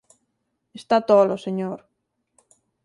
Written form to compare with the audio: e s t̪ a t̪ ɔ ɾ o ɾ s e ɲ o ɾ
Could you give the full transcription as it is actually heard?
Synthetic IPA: e s t̪ a t̪ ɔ l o s e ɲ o ɾ